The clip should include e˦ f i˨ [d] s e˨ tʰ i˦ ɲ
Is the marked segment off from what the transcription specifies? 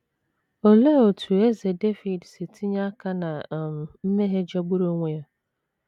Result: no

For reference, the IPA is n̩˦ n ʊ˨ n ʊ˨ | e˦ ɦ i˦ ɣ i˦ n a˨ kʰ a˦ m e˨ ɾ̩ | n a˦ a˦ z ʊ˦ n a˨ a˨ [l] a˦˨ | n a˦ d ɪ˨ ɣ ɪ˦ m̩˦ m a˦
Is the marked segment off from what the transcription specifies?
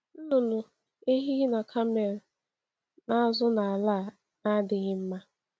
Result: no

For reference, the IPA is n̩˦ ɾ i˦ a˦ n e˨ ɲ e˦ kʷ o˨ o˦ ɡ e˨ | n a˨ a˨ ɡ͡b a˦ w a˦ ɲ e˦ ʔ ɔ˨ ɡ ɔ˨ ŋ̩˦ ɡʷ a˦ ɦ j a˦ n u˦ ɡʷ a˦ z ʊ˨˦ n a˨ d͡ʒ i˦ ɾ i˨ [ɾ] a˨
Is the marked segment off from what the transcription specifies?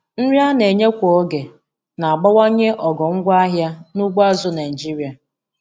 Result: yes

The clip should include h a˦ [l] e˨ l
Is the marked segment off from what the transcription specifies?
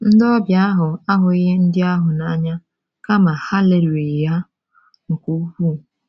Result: no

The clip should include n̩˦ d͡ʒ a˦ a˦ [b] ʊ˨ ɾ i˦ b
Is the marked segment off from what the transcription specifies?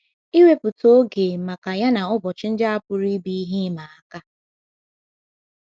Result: yes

